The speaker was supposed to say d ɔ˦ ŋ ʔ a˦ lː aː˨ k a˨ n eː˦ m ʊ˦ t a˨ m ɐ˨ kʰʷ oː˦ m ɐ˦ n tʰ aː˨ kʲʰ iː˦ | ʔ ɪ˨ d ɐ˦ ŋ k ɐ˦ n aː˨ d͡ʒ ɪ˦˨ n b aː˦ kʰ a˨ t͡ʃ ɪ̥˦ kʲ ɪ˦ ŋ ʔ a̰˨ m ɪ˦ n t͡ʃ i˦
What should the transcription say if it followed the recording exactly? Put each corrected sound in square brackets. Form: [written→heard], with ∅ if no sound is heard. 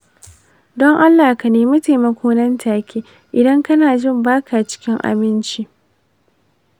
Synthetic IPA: d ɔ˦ ŋ ʔ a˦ lː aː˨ k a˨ n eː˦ m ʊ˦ t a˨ m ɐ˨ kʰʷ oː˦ [m→n] ɐ˦ n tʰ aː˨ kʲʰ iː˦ | ʔ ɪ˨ d ɐ˦ ŋ k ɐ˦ n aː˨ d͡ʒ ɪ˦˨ [n→m] b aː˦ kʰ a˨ t͡ʃ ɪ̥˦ kʲ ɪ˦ ŋ ʔ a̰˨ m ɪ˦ n t͡ʃ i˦